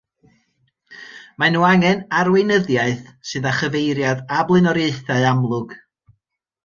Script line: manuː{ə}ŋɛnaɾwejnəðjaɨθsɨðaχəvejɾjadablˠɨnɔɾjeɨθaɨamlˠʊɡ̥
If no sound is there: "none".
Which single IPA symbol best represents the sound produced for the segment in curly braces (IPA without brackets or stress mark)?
a